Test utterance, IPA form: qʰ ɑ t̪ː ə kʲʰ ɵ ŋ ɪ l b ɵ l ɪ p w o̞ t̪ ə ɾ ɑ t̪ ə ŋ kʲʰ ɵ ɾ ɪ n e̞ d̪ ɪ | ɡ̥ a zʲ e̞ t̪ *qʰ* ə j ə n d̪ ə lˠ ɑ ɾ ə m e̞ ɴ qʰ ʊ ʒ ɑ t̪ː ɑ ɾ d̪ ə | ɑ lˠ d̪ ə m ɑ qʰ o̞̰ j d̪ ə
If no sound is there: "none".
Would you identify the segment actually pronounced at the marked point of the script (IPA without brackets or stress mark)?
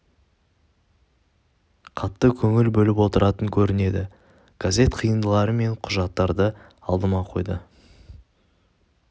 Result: qʰ